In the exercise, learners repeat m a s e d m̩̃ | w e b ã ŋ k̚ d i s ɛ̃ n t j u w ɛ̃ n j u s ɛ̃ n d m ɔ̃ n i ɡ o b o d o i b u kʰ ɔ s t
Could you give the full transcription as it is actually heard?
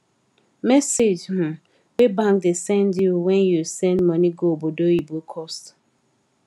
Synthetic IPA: m ɛ s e d͡ʒ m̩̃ | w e b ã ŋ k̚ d e s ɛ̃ n d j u w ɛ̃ n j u s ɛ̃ n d m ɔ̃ n i ɡ o b o d o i b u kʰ ɔ s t